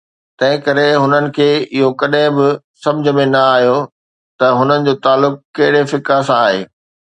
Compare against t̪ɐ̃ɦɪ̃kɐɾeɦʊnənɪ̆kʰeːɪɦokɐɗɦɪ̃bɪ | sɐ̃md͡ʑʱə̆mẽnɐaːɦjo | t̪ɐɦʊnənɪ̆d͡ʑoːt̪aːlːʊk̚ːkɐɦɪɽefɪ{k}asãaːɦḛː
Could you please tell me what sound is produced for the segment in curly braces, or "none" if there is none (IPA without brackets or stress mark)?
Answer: k